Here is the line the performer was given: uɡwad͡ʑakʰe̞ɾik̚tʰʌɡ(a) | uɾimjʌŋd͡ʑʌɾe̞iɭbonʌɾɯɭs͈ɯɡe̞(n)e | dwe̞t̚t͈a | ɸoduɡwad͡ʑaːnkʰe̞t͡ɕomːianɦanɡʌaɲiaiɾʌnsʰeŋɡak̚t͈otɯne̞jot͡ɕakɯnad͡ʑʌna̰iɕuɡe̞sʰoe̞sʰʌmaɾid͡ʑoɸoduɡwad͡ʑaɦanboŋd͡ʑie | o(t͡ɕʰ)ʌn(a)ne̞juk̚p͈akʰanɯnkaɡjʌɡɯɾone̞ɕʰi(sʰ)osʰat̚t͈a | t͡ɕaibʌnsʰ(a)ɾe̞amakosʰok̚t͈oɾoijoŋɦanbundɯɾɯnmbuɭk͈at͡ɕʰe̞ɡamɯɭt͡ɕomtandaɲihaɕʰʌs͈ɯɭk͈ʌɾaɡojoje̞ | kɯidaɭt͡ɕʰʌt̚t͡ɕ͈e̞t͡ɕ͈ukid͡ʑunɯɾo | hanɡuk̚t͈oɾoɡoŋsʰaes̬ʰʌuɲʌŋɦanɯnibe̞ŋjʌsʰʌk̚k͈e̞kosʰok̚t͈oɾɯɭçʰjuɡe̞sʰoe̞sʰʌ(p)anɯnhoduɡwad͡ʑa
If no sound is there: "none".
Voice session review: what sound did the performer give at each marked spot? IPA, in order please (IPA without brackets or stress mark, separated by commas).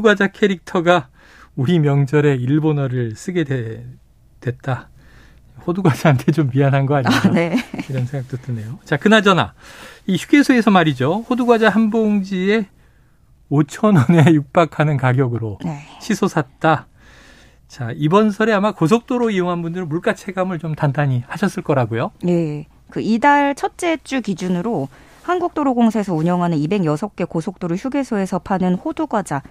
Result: a, d, t͡ɕʰ, ʌ, sʰ, ʌ, pʰ